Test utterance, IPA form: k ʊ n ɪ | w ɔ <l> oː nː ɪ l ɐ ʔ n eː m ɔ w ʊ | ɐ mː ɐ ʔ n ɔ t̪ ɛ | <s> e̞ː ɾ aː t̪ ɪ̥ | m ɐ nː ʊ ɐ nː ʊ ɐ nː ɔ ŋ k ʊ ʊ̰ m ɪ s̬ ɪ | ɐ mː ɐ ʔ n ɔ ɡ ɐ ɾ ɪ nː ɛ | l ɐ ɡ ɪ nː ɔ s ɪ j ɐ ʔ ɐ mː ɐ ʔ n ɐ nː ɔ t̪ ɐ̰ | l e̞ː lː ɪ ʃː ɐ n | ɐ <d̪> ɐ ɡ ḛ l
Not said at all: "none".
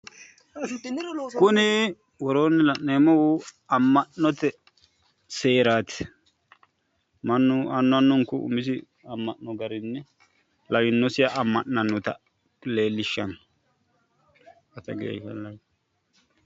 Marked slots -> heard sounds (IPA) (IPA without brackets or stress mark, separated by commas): ɾ, s, t̪